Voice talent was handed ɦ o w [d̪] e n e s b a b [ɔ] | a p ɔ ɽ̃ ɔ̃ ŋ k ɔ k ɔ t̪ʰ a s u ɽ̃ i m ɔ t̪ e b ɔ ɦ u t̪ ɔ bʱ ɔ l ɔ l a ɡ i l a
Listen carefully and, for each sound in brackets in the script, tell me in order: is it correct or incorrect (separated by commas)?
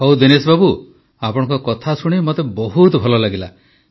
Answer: correct, incorrect